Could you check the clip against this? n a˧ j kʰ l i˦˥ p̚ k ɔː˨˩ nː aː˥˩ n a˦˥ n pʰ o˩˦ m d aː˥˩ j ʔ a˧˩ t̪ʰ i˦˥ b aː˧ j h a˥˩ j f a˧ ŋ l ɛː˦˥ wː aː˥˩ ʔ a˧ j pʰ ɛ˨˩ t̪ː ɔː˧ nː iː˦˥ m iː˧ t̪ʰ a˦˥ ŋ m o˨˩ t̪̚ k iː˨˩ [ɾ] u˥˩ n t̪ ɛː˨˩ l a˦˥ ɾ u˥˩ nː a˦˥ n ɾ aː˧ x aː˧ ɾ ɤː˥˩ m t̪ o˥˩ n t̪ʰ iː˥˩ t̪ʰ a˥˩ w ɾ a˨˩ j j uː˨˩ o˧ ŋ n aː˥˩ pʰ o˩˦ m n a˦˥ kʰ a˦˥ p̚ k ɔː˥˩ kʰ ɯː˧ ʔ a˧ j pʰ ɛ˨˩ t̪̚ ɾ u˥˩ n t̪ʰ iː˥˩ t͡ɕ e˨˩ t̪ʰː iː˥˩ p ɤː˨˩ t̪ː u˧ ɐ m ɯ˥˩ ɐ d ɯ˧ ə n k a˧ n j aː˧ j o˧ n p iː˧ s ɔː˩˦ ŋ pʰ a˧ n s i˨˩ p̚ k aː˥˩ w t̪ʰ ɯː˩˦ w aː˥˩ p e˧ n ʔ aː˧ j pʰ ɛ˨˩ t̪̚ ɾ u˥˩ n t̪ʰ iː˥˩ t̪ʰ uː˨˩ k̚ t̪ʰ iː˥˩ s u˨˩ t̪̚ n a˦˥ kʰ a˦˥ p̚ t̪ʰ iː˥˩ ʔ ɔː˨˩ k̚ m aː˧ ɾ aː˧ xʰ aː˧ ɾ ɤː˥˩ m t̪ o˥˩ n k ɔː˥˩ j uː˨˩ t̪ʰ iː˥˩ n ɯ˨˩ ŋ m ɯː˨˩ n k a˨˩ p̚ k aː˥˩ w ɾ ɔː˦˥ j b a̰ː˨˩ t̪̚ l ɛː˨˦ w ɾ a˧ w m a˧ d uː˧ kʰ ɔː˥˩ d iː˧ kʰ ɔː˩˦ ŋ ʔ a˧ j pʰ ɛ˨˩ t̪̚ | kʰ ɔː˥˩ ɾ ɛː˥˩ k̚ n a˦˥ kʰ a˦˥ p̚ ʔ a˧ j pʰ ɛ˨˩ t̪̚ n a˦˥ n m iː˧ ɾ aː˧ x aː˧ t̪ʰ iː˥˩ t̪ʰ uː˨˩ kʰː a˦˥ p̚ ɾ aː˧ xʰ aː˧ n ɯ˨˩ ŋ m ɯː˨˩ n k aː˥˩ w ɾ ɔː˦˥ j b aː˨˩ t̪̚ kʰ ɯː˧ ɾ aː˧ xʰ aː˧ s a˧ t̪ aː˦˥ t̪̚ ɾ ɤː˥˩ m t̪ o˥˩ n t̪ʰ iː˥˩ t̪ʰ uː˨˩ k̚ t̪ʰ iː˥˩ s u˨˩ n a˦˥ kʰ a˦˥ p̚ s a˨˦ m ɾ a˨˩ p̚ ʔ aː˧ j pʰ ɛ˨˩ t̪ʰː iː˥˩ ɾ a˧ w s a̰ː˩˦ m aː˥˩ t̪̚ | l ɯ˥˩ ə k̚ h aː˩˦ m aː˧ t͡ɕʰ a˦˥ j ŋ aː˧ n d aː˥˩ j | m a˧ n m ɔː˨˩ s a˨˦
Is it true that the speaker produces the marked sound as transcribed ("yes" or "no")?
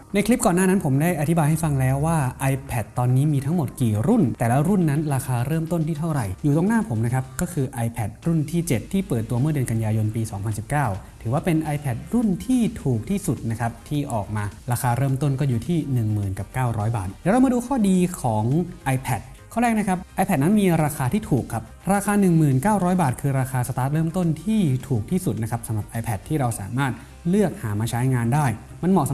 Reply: yes